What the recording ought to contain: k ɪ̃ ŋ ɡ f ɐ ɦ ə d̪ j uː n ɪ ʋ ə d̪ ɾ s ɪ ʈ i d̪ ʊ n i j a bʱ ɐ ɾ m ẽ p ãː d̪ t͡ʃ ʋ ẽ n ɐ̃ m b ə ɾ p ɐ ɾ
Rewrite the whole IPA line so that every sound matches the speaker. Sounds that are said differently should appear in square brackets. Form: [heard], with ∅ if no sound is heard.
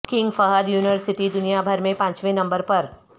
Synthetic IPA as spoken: k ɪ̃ ŋ ɡ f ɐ ɦ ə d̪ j uː n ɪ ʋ ə [∅] ɾ s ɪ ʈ i d̪ ʊ n i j a bʱ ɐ ɾ m ẽ p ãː [∅] t͡ʃ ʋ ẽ n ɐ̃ m b ə ɾ p ɐ ɾ